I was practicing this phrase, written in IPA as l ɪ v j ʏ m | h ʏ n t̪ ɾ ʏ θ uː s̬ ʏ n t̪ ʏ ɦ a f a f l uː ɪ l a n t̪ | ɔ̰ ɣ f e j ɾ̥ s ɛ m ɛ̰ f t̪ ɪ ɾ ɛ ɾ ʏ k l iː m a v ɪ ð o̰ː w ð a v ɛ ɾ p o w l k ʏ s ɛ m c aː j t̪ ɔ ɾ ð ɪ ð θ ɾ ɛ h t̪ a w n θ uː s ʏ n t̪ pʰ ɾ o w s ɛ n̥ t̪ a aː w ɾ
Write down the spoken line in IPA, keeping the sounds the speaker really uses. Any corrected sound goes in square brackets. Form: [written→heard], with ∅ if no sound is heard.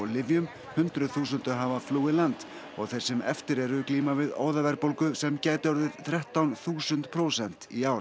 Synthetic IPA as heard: l ɪ v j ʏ m | h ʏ n t̪ ɾ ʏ θ uː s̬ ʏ n t̪ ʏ ɦ a [f→v] a f l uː ɪ l a n t̪ | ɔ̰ ɣ [f→θ] e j ɾ̥ s ɛ m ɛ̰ f t̪ ɪ ɾ ɛ ɾ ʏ k l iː m a v ɪ ð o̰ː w ð a v ɛ ɾ p o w l k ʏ s ɛ m c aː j t̪ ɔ ɾ ð ɪ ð θ ɾ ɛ h t̪ a w n θ uː s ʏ n t̪ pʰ ɾ o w s ɛ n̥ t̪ [a→i] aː w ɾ